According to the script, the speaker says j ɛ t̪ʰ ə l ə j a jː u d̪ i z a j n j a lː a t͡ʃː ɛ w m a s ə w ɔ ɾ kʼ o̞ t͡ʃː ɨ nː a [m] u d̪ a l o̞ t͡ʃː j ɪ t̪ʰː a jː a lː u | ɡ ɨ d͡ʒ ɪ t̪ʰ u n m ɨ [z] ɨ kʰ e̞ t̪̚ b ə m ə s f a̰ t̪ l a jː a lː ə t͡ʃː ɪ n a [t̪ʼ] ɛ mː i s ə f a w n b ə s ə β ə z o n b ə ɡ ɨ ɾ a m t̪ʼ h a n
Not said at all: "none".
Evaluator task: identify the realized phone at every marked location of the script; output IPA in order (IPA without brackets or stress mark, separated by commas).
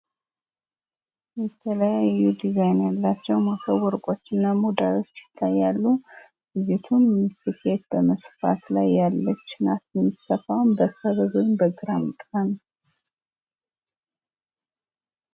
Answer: m, s, t̪